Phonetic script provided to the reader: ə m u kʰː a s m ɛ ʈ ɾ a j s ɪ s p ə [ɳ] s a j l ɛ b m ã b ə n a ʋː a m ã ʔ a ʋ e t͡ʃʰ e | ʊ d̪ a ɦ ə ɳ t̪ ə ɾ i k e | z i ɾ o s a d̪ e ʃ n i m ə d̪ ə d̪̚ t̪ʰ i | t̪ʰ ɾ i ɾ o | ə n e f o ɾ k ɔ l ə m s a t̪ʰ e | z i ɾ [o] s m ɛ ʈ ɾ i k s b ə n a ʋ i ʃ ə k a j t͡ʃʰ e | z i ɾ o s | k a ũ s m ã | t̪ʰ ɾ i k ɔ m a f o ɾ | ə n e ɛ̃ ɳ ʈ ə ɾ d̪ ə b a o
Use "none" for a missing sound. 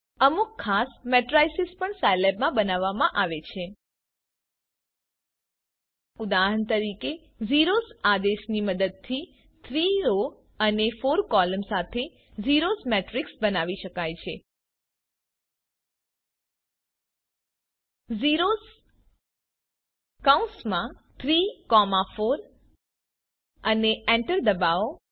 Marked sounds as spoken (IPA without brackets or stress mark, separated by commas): ɳ, o